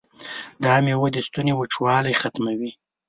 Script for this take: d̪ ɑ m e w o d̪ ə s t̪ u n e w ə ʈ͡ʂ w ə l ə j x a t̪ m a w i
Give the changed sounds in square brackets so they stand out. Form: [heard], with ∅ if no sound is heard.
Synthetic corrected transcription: d̪ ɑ m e w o d̪ ə s t̪ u n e w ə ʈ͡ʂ w [ɑ] l [a] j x a t̪ m a w i